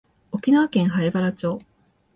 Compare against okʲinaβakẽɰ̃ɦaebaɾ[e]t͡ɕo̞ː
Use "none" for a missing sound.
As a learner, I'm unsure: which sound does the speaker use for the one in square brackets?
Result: a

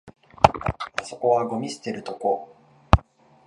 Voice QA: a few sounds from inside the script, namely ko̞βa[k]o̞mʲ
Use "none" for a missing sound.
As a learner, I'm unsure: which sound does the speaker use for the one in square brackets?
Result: ɡ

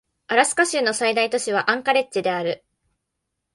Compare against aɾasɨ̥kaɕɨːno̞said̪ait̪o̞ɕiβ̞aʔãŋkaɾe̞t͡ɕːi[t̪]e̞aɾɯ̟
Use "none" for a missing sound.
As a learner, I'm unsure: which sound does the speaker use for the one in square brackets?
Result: d̪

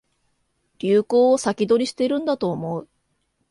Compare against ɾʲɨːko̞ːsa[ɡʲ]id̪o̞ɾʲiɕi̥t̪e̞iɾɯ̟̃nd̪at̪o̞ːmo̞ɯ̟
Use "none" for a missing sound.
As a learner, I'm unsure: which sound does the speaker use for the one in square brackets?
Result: kʲ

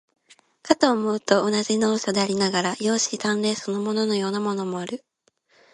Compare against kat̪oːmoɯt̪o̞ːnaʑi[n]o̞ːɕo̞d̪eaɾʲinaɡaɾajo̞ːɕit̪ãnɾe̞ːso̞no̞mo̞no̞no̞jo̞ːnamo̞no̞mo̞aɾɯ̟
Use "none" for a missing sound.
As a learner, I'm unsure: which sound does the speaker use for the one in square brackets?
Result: n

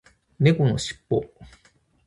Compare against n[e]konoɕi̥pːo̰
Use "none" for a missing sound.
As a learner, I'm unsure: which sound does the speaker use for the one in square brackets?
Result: e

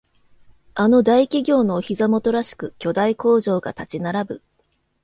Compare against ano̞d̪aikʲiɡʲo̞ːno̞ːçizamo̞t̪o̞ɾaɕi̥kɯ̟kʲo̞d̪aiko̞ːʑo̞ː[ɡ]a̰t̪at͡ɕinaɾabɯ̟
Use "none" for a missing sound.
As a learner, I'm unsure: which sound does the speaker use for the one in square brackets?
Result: ɡ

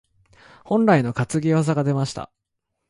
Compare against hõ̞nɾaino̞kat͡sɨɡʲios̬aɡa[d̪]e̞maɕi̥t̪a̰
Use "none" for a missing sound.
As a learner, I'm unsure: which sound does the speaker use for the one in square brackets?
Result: d̪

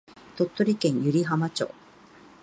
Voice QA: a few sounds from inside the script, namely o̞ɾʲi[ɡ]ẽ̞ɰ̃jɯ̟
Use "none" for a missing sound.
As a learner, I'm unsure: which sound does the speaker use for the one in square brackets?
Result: k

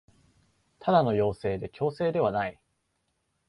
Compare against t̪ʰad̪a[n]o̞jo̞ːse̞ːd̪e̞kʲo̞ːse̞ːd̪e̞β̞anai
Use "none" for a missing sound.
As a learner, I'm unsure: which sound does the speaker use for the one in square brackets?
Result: n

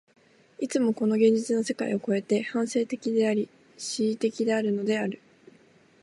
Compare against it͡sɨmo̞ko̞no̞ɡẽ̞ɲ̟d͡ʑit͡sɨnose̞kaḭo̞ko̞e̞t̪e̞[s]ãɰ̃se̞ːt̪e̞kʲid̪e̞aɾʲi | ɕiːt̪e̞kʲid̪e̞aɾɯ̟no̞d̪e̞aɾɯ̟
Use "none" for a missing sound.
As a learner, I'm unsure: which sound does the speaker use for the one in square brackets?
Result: h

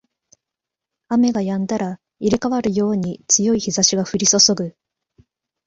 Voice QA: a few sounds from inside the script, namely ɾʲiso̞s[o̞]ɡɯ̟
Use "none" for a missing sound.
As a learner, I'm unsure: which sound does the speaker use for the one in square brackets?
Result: o̞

